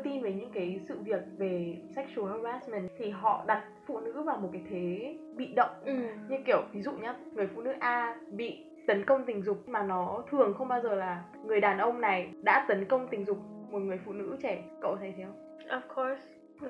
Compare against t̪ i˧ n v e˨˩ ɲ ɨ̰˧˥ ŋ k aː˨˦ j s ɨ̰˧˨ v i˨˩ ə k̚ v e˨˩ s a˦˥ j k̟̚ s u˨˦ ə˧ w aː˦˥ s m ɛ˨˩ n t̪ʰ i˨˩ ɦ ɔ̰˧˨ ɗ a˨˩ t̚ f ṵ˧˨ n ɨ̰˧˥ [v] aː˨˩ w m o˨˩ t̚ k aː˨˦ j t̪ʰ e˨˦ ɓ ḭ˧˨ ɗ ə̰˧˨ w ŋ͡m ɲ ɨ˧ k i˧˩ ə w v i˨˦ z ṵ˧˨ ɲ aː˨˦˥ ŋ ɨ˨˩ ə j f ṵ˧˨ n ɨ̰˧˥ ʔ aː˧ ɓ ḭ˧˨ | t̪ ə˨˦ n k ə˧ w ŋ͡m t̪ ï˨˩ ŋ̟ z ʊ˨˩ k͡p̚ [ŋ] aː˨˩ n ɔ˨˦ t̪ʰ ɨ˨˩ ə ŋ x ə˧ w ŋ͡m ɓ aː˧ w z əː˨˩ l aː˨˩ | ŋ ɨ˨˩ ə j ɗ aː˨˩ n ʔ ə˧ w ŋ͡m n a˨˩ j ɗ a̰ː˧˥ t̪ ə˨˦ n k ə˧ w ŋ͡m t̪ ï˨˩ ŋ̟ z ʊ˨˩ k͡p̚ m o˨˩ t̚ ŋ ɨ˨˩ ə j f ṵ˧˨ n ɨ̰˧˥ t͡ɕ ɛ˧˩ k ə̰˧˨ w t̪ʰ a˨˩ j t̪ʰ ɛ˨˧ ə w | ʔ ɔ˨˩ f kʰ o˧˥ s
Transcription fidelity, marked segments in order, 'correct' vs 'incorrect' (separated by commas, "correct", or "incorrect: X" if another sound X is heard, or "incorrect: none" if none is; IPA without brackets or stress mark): correct, incorrect: m